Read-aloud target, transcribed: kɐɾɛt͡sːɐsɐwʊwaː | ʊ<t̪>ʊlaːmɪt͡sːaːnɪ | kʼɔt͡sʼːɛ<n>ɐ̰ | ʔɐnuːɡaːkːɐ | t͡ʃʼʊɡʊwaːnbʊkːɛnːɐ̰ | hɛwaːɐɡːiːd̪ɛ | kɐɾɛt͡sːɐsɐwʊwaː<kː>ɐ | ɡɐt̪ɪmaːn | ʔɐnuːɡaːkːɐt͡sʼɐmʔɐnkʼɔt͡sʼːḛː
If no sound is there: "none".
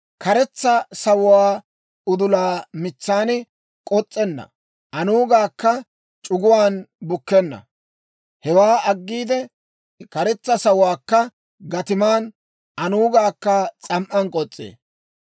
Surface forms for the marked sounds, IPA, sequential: d̪, nː, kː

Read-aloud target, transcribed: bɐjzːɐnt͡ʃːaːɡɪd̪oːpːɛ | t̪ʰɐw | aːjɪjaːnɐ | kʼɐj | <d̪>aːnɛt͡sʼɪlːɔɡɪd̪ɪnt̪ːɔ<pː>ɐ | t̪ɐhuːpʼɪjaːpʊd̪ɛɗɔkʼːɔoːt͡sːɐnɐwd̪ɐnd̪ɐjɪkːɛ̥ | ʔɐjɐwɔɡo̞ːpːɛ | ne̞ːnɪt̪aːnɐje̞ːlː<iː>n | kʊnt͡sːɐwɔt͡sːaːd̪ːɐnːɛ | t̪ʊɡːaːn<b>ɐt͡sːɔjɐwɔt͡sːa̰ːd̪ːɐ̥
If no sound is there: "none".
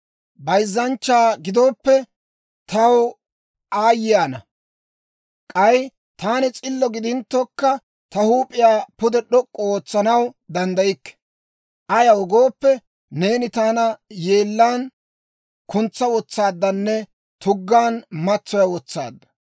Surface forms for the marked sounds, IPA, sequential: t̪, kː, aː, m

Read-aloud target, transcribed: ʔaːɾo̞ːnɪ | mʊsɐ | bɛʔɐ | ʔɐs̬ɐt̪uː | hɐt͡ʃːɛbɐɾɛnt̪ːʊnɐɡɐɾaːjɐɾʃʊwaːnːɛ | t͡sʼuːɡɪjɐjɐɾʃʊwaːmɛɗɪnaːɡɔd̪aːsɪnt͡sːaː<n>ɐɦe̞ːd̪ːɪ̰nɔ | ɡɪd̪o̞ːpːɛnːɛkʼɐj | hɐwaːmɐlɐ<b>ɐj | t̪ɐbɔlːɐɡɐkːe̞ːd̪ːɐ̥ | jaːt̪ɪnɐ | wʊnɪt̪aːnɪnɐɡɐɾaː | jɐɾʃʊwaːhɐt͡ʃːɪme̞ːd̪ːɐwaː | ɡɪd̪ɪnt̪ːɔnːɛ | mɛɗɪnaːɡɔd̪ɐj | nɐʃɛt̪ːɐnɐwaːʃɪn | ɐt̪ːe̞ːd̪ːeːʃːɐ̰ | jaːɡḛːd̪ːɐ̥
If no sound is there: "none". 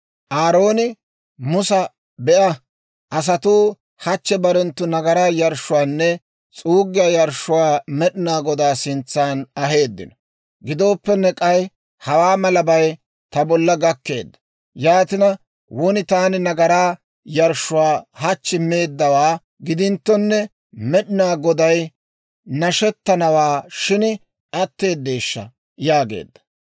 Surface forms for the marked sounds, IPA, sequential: n, b

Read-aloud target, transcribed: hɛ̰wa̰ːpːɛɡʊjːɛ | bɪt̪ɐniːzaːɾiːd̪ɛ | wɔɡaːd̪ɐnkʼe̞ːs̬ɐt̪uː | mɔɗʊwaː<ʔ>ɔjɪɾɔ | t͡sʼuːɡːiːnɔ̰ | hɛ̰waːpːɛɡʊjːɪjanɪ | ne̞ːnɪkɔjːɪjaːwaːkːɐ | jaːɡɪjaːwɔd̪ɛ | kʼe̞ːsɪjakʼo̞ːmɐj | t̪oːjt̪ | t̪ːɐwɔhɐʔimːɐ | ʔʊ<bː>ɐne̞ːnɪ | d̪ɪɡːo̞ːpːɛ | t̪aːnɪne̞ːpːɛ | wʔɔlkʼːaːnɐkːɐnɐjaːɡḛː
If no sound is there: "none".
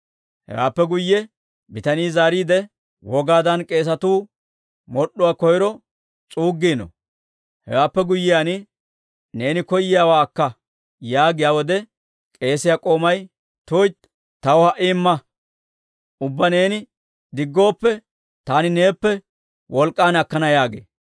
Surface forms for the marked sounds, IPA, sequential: k, bː

